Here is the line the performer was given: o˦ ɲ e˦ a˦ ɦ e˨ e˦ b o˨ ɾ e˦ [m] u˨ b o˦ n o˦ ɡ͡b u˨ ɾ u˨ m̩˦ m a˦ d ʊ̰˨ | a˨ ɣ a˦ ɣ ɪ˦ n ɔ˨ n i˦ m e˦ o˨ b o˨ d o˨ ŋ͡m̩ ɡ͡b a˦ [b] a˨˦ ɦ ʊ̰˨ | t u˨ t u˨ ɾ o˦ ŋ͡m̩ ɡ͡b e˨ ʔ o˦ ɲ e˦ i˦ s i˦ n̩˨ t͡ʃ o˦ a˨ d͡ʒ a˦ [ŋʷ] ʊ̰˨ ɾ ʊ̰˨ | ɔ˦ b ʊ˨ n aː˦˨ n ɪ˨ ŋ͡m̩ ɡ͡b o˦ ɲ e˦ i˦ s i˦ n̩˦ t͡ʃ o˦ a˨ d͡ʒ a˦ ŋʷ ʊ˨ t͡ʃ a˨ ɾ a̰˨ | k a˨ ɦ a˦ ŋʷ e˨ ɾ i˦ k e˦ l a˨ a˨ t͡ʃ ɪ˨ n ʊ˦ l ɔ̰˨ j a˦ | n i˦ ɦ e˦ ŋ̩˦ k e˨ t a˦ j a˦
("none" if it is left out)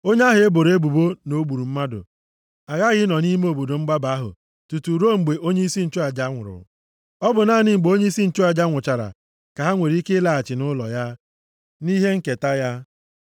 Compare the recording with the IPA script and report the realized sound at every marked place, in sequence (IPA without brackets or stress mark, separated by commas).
b, b, ŋʷ